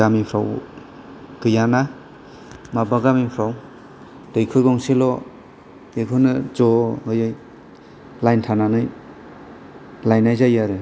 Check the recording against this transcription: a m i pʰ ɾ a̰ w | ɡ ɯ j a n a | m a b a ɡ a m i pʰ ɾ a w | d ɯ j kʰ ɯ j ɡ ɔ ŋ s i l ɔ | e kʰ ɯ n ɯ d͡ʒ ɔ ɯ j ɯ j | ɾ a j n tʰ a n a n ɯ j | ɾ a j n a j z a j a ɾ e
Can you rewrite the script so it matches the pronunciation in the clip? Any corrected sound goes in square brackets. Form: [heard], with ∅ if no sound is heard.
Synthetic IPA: a m i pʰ ɾ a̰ w | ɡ ɯ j a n a | m a b a ɡ a m i pʰ ɾ a w | d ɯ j kʰ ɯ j ɡ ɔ ŋ s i l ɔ | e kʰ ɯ n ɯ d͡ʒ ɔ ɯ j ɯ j | [l] a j n tʰ a n a n ɯ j | [l] a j n a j z a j a ɾ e